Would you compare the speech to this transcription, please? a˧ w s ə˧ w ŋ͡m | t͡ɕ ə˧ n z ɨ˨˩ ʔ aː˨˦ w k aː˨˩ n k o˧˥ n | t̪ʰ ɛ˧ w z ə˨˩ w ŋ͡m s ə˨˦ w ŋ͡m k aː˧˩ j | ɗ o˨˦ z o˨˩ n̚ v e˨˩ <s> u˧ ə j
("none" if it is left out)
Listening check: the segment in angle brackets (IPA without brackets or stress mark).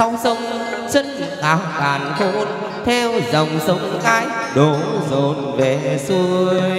s